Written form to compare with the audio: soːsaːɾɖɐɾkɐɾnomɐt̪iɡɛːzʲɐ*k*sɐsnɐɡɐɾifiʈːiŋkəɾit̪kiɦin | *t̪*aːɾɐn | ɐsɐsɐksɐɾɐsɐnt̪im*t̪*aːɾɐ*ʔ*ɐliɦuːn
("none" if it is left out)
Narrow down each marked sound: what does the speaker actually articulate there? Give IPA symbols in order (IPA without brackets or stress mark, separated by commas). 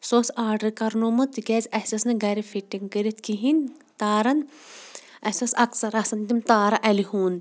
none, t̪, t̪, ʔ